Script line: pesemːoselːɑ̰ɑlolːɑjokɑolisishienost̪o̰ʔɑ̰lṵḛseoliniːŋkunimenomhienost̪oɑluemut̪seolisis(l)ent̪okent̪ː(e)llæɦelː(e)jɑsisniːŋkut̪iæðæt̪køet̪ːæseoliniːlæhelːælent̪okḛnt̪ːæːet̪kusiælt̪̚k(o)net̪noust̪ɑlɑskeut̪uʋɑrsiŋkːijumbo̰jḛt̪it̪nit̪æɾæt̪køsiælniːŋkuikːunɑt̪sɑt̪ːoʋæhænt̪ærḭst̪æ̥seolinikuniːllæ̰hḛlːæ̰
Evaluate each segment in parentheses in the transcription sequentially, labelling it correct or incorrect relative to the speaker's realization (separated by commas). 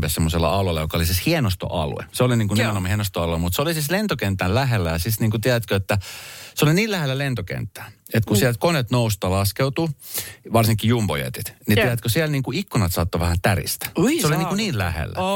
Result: correct, incorrect, incorrect, correct